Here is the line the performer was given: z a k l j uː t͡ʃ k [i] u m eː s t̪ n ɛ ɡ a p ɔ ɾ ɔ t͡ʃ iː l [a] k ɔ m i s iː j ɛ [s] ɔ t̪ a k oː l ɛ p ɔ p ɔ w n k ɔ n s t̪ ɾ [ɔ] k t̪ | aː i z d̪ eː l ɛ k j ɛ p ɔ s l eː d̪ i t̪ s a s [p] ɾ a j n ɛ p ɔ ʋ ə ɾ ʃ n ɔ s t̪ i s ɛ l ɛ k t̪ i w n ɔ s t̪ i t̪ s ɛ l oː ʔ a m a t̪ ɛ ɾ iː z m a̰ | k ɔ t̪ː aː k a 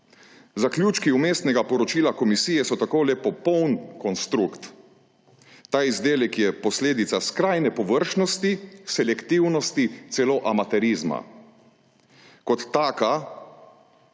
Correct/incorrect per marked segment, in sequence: correct, correct, correct, incorrect: u, incorrect: k

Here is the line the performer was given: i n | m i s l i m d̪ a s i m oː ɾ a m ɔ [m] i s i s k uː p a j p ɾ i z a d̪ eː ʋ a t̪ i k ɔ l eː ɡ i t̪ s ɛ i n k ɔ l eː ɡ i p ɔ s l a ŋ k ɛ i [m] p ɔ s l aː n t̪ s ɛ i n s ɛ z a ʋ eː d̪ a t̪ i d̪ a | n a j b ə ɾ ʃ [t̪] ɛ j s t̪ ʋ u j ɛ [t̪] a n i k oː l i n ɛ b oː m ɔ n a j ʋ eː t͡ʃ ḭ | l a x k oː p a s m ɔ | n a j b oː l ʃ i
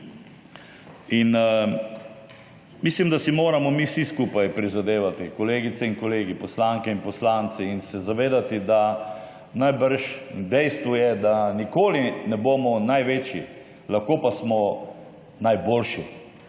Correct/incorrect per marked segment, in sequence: correct, incorrect: n, incorrect: d̪, incorrect: d̪

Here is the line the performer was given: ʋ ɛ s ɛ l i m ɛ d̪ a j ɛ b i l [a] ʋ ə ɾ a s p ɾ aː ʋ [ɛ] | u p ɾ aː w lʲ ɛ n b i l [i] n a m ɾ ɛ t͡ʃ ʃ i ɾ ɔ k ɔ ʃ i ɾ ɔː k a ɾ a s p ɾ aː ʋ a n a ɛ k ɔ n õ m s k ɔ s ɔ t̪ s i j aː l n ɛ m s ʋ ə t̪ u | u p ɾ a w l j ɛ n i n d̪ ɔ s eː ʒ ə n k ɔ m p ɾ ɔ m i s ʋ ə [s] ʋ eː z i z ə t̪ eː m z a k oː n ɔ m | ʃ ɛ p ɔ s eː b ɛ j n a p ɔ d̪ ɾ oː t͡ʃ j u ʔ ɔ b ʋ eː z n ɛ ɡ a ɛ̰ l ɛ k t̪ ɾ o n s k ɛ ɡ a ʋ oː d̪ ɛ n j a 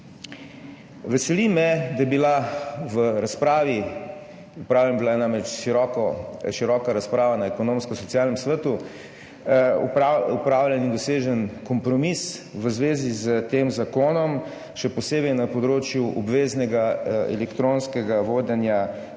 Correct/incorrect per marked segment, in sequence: correct, incorrect: i, incorrect: a, incorrect: z

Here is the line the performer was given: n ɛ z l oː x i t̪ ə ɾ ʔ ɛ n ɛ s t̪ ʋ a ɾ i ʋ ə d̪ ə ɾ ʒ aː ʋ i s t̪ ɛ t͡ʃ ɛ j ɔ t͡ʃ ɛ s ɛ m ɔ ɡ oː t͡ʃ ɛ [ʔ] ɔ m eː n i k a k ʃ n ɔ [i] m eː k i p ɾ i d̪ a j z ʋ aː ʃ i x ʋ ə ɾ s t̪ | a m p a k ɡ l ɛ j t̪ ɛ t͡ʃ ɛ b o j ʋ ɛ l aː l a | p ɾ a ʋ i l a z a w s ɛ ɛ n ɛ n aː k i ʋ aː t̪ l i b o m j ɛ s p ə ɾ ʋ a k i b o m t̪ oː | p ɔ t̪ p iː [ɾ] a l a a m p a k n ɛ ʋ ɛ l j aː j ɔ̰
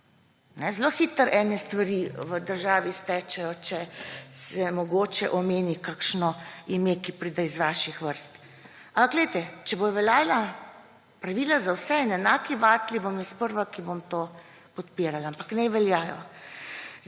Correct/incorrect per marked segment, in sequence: correct, correct, correct

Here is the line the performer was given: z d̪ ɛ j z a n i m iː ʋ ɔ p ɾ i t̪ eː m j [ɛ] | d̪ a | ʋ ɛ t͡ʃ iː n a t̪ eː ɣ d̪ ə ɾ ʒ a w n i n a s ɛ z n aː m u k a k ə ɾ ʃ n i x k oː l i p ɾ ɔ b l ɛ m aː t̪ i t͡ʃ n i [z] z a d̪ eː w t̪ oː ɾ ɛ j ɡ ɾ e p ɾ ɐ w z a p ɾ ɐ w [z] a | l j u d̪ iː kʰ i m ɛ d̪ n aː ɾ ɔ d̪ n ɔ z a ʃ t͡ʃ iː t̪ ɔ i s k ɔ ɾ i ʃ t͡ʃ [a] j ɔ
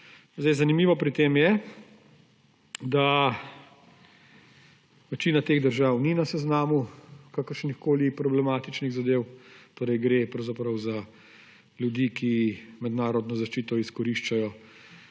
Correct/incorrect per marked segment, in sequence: correct, incorrect: ɣ, correct, correct

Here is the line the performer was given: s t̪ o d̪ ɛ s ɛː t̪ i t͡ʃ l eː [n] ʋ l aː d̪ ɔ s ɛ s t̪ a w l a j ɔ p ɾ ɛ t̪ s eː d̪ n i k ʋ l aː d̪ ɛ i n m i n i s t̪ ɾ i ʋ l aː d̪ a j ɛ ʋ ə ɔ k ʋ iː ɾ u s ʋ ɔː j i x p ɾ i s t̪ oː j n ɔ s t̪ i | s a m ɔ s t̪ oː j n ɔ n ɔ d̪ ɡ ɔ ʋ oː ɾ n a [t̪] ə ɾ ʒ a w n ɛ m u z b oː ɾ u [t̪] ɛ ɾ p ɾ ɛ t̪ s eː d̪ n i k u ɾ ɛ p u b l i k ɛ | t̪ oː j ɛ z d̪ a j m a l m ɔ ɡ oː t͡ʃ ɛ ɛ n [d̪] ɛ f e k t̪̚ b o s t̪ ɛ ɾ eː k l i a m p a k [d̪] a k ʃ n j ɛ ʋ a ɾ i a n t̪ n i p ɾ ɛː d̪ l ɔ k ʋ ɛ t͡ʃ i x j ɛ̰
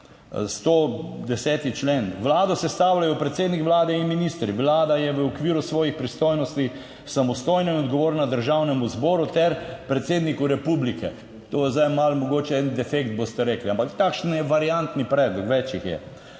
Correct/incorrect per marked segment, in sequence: correct, incorrect: d̪, correct, correct, incorrect: t̪

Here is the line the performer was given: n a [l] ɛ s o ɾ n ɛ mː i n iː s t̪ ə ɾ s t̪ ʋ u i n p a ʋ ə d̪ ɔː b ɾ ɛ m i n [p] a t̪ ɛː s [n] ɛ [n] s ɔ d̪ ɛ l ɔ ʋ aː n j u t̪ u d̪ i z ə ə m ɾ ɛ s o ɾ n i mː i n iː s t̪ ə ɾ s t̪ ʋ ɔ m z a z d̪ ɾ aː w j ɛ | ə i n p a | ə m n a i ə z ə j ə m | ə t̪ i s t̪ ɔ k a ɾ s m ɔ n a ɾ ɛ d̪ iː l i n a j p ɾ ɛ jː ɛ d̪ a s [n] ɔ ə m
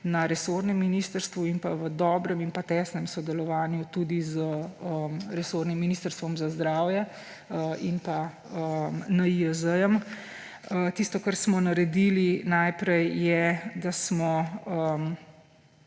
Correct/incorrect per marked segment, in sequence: incorrect: ɾ, correct, correct, incorrect: m, incorrect: m

